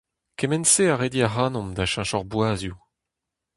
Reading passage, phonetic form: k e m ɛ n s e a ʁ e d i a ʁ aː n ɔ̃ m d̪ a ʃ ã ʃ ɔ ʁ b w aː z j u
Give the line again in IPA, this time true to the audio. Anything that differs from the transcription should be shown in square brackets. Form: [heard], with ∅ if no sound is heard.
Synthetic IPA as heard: k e m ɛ n s e a ʁ e d i a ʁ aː n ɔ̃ m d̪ a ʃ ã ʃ ɔ ʁ b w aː z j u